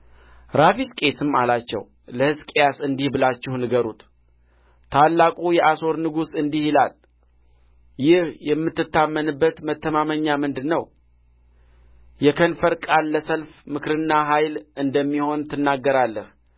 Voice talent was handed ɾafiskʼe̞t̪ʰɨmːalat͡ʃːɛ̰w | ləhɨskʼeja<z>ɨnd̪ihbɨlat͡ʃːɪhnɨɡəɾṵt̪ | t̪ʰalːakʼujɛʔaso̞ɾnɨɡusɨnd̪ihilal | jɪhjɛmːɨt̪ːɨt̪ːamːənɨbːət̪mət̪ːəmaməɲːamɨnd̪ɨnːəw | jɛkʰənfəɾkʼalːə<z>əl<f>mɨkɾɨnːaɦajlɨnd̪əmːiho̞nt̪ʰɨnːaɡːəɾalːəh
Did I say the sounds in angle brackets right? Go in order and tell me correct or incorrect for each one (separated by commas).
incorrect, incorrect, correct